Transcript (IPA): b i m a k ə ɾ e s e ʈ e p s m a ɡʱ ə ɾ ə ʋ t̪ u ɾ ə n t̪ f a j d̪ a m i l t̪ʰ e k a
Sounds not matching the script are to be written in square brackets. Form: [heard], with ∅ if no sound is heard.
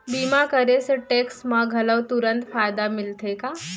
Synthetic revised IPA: b i m a k ə ɾ e s e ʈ e [k] s m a ɡʱ ə [l] ə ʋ t̪ u ɾ ə n t̪ f a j d̪ a m i l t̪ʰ e k a